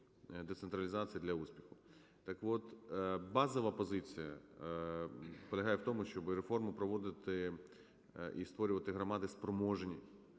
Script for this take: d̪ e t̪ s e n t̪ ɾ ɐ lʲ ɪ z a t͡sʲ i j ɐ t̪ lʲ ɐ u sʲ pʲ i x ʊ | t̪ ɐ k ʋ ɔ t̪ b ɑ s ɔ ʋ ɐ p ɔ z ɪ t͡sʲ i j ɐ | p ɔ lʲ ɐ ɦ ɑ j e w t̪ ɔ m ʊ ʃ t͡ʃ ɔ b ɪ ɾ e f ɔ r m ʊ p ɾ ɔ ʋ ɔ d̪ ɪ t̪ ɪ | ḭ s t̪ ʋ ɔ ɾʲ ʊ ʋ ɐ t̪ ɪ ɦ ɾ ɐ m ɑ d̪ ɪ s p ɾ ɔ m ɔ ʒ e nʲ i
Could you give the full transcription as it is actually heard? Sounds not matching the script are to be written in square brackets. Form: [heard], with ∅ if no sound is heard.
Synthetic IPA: d̪ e t̪ s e n t̪ ɾ ɐ lʲ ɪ z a t͡sʲ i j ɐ [d̪] lʲ ɐ u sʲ pʲ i x ʊ | t̪ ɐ k ʋ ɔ t̪ b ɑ [z] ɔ ʋ ɐ p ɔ z ɪ t͡sʲ i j ɐ | p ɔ lʲ ɐ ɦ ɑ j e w t̪ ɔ m ʊ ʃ t͡ʃ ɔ b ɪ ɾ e f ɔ r m ʊ p ɾ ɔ ʋ ɔ d̪ ɪ t̪ ɪ | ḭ s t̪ ʋ ɔ ɾʲ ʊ ʋ ɐ t̪ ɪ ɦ ɾ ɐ m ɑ d̪ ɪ s p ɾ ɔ m ɔ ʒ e nʲ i

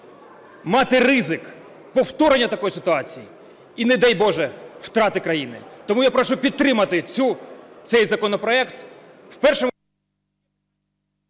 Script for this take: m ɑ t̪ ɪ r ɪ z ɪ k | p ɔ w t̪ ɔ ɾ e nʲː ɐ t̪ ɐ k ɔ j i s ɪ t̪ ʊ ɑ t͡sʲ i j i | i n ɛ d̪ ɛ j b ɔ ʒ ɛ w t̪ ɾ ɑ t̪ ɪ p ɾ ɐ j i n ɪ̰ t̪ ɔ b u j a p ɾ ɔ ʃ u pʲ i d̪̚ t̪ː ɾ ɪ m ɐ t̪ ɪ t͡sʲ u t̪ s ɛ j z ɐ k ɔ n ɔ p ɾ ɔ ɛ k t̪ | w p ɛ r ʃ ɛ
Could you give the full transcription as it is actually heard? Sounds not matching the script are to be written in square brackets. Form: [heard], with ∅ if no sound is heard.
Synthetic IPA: m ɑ t̪ ɪ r ɪ z ɪ k | p ɔ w t̪ ɔ ɾ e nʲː ɐ t̪ ɐ k ɔ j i s ɪ t̪ ʊ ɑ t͡sʲ i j i | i n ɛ d̪ ɛ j b ɔ ʒ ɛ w t̪ ɾ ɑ t̪ ɪ [k] ɾ ɐ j i n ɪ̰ t̪ ɔ [m] u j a p ɾ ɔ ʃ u pʲ i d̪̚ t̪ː ɾ ɪ m ɐ t̪ ɪ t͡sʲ u t̪ s ɛ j z ɐ k ɔ n ɔ p ɾ ɔ ɛ k t̪ | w p ɛ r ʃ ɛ

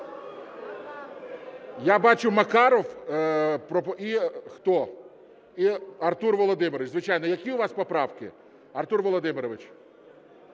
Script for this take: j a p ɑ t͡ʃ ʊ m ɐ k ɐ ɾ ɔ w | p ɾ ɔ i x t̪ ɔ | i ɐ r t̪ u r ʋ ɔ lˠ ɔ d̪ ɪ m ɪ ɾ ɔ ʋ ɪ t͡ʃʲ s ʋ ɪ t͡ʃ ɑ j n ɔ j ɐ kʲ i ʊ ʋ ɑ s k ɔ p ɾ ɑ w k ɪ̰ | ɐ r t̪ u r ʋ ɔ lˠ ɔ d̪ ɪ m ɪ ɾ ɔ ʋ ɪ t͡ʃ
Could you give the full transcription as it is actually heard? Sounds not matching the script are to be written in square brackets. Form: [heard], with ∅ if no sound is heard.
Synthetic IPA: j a [b] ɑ t͡ʃ ʊ m ɐ k [ɑ] ɾ ɔ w | p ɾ ɔ i x t̪ ɔ | i ɐ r t̪ u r ʋ ɔ lˠ ɔ d̪ ɪ m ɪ ɾ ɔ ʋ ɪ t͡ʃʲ [z] ʋ ɪ t͡ʃ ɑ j n ɔ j ɐ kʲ i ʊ ʋ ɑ s [p] ɔ p ɾ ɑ w k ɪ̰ | ɐ r t̪ u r ʋ ɔ lˠ ɔ d̪ ɪ m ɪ ɾ ɔ ʋ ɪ t͡ʃ

